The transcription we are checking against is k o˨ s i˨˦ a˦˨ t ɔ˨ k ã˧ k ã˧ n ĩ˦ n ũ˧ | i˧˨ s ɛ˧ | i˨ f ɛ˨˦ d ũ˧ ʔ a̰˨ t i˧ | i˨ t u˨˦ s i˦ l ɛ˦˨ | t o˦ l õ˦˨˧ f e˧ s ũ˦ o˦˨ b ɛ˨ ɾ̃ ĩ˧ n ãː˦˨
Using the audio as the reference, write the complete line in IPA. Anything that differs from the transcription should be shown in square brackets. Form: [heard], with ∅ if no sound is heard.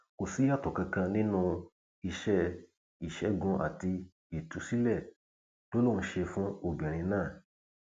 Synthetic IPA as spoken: k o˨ s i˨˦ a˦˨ t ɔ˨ k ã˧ k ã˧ n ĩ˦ n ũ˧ | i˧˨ [ʃ] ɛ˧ | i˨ [ʃ] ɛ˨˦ [ɡ] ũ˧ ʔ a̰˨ t i˧ | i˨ t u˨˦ s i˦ l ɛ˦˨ | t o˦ l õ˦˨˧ [ʃ] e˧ [f] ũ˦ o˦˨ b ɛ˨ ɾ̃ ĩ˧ n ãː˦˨

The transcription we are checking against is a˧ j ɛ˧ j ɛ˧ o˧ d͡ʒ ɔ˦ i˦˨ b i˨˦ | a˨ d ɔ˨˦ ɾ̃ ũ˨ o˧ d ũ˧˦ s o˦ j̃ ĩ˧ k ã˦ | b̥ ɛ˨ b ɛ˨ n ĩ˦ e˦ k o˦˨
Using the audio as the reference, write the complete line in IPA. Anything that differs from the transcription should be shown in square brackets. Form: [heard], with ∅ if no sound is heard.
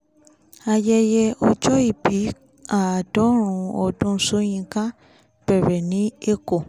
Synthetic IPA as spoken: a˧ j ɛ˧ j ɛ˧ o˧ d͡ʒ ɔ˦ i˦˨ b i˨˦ | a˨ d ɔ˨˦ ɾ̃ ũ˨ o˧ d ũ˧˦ s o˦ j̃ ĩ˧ k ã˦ | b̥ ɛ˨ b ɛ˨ n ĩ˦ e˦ k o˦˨

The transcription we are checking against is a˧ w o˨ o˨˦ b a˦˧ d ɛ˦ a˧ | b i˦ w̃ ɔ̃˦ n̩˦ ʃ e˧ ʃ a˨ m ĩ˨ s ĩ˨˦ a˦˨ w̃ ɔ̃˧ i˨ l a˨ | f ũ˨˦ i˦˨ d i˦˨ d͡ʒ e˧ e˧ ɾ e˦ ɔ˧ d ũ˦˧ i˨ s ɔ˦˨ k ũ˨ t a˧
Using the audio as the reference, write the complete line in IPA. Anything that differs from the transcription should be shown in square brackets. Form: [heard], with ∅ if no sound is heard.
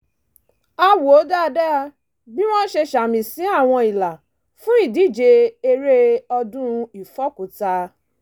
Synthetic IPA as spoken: a˧ w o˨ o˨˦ [d] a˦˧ d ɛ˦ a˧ | b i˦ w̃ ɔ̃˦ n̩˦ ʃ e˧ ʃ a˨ m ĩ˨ s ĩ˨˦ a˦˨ w̃ ɔ̃˧ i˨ l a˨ | f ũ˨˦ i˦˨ d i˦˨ d͡ʒ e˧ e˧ ɾ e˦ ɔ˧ d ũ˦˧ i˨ [f] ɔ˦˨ k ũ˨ t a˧

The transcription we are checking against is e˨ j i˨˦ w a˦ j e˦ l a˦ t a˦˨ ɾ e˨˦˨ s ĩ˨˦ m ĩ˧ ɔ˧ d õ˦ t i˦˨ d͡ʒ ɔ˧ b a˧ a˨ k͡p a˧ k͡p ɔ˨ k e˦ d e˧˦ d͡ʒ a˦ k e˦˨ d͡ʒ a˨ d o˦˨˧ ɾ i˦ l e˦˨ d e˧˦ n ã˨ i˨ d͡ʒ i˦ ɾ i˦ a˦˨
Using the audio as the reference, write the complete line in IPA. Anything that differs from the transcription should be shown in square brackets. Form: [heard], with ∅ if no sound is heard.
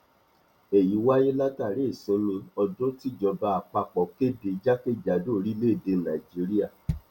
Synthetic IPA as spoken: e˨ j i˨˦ w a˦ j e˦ l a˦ t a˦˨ ɾ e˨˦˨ s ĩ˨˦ m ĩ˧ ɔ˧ d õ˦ t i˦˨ d͡ʒ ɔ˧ b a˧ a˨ k͡p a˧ k͡p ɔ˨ k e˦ d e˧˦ d͡ʒ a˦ k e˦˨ d͡ʒ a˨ d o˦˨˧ ɾ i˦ l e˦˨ d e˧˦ n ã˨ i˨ d͡ʒ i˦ ɾ i˦ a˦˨

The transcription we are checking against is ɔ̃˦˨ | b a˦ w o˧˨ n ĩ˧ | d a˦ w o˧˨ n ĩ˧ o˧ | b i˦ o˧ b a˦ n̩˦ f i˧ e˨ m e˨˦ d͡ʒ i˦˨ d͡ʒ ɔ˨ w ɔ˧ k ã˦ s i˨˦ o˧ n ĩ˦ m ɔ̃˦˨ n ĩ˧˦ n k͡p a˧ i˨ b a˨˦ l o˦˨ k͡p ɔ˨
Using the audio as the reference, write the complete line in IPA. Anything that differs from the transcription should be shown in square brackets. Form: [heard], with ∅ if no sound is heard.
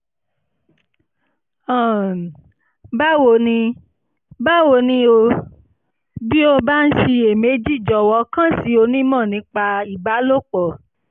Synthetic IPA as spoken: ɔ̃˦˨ | b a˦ w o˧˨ n ĩ˧ | [b] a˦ w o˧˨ n ĩ˧ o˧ | b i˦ o˧ b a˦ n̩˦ [ʃ] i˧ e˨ m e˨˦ d͡ʒ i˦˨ d͡ʒ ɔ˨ w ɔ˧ k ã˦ s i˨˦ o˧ n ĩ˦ m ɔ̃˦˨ n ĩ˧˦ [∅] k͡p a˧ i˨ b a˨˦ l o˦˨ k͡p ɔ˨

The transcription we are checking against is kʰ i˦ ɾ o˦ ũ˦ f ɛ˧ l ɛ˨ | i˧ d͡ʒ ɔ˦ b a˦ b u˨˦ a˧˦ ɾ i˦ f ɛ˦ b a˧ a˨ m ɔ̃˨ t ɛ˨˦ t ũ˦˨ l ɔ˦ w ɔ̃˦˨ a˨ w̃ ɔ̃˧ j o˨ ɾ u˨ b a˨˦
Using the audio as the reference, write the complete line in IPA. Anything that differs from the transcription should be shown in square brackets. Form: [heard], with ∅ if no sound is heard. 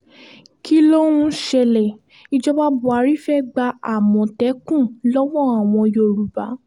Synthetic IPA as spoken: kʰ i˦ [l] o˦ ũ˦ [ʃ] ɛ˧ l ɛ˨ | i˧ d͡ʒ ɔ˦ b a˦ b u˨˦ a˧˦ ɾ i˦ f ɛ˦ [ɡ͡b] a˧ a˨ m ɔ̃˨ t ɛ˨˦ [k] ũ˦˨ l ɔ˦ w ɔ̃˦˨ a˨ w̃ ɔ̃˧ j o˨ ɾ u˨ b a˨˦

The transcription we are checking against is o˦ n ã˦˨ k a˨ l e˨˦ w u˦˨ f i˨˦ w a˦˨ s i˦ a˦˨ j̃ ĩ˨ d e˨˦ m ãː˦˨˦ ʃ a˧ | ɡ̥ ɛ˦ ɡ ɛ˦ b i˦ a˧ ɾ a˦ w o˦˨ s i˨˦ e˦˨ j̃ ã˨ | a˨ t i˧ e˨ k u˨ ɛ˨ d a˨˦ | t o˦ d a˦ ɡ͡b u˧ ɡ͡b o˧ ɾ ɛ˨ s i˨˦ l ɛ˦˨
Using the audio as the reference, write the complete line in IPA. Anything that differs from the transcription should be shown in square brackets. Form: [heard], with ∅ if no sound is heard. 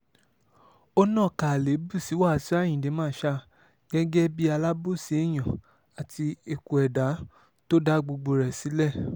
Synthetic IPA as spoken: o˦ n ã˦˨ k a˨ l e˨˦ [b] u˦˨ [s] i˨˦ w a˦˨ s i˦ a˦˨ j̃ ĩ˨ d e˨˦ m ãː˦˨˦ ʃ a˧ | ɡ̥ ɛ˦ ɡ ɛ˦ b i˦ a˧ [l] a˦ [b] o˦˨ s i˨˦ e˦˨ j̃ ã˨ | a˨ t i˧ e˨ k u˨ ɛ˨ d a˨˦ | t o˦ d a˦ ɡ͡b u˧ ɡ͡b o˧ ɾ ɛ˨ s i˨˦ l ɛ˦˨

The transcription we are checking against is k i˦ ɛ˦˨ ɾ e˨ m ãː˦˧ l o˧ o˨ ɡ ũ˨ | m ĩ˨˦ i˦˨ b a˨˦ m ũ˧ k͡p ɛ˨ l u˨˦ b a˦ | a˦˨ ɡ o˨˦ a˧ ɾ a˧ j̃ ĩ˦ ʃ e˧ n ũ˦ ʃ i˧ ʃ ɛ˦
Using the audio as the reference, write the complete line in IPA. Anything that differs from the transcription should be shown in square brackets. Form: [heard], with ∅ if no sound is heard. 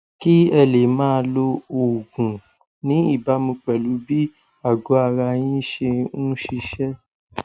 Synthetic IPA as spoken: k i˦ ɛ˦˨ [l] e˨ m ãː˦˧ l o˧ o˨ ɡ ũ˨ | [n] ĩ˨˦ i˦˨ b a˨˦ m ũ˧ k͡p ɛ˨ l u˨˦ b [i˦] | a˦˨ ɡ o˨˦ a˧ ɾ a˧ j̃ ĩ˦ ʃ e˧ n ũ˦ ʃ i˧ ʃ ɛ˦

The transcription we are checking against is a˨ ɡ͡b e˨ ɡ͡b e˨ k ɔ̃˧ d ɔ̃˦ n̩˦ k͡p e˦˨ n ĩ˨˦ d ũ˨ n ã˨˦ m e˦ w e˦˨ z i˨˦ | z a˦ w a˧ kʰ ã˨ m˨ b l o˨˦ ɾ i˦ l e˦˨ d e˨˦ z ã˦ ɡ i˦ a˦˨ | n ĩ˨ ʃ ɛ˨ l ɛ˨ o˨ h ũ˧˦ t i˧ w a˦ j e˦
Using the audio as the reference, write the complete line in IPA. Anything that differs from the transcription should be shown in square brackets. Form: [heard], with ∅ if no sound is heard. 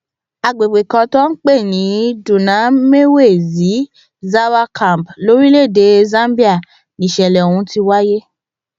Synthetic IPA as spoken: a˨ ɡ͡b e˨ ɡ͡b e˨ k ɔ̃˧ [t] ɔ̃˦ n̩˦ k͡p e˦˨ n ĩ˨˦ d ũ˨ n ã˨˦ m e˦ w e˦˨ z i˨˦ | z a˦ w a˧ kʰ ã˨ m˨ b l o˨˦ ɾ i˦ l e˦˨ d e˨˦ z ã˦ [b] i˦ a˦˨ | n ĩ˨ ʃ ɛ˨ l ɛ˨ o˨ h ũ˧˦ t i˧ w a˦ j e˦

